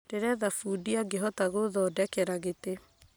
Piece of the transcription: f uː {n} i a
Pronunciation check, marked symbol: incorrect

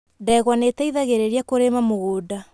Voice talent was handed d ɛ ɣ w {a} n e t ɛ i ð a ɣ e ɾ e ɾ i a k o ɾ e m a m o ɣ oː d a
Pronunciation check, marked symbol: correct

